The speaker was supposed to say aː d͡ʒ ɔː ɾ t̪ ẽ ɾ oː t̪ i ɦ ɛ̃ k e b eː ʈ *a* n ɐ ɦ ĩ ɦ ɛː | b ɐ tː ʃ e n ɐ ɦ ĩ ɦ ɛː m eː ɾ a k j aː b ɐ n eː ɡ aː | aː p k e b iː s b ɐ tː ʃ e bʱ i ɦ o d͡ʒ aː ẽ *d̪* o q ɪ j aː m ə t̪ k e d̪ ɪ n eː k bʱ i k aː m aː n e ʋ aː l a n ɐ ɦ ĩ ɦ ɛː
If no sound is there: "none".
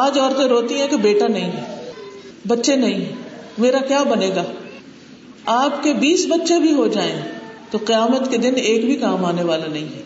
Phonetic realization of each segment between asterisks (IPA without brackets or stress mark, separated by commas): a, t̪